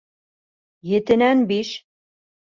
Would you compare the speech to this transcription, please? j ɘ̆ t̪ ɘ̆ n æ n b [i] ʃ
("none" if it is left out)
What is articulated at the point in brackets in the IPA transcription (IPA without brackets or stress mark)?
i